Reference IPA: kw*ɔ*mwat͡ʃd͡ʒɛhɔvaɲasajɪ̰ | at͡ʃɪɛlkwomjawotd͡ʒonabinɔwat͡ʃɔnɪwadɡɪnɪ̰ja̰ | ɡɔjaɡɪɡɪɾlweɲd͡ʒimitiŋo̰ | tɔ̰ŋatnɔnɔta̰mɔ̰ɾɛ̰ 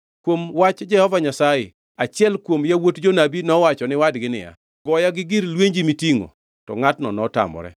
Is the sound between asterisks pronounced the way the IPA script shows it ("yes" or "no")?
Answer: no